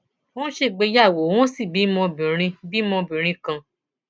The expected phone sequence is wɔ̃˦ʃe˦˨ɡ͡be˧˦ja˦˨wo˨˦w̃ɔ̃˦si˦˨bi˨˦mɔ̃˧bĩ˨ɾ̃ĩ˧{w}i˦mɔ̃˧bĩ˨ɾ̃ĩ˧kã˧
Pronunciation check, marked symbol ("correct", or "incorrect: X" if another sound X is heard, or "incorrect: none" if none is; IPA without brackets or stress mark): incorrect: b